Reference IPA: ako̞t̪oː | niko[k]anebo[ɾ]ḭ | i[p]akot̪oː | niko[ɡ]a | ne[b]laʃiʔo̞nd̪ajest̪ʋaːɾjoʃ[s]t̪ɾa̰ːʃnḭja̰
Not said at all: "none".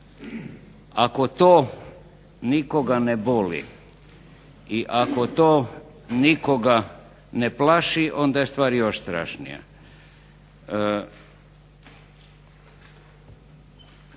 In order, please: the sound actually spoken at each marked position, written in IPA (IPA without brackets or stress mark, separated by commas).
ɡ, l, ʔ, ɡ, p, s